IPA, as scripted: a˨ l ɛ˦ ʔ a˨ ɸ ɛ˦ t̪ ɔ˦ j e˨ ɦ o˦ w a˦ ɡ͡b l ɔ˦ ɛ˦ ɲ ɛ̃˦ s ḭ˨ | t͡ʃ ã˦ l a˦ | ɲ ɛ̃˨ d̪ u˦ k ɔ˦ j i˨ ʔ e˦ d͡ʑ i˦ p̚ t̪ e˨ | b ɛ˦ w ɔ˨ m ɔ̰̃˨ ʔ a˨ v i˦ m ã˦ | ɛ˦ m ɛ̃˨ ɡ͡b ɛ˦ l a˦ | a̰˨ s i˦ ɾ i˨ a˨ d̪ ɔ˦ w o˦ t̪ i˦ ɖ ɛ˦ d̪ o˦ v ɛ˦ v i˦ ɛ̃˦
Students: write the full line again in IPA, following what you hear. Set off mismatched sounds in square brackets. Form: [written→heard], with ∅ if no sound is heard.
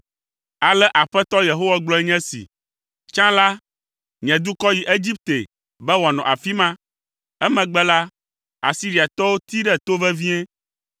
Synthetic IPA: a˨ l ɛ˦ ʔ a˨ ɸ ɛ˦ t̪ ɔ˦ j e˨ ɦ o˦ w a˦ ɡ͡b l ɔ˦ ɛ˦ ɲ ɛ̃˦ s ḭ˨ | t͡ʃ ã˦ l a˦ | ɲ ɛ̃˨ d̪ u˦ k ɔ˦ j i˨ ʔ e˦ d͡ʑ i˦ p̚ t̪ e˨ | b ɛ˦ w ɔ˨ [m→n] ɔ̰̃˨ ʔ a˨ [v→f] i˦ m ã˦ | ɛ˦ m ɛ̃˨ ɡ͡b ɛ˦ l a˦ | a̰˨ s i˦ ɾ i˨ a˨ [d̪→t̪] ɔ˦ w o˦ t̪ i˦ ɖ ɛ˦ [d̪→t̪] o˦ v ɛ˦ v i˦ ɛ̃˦